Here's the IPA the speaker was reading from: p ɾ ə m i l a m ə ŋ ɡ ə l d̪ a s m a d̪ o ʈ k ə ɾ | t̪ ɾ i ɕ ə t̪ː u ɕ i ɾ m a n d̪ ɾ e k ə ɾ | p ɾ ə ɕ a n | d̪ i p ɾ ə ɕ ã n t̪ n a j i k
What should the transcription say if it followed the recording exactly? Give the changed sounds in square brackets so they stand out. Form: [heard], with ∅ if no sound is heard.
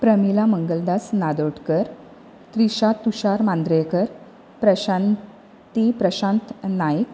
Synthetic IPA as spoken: p ɾ ə m i l a m ə ŋ ɡ ə l d̪ a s [n] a d̪ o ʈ k ə ɾ | t̪ ɾ i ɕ [a] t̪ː u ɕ [a] ɾ m a n d̪ ɾ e k ə ɾ | p ɾ ə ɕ a n | [t̪] i p ɾ ə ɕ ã n t̪ n a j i k